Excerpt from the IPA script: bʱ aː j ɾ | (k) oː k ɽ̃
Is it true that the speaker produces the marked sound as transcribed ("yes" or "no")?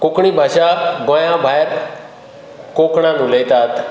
yes